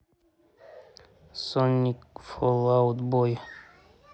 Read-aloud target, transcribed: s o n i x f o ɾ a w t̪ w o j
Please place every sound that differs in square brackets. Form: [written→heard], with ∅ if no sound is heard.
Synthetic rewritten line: s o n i [x→k] f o [ɾ→l] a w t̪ [w→b] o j